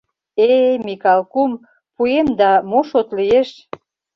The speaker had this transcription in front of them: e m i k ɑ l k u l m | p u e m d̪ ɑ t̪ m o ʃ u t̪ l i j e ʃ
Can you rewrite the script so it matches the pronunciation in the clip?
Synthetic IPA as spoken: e m i k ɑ l k u m | p u e m d̪ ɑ m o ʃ o t̪ l i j e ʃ